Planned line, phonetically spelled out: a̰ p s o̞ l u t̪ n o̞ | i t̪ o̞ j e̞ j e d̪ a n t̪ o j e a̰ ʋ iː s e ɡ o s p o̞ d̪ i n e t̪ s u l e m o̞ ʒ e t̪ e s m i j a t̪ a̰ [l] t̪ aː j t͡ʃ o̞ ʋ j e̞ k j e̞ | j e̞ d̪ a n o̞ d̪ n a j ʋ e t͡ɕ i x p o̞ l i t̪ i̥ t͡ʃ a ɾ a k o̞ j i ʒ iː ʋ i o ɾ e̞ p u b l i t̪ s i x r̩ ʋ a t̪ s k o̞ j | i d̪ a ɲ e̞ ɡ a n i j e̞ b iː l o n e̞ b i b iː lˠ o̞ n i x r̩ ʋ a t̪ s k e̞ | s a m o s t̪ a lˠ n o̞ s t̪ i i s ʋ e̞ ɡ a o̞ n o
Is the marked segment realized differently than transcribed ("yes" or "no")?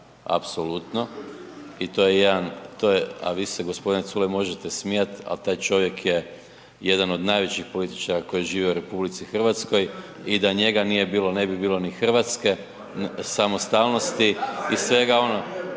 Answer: no